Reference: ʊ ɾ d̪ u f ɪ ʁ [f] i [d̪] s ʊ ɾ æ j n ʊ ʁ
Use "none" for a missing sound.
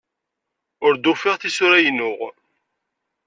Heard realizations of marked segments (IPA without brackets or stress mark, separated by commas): θ, none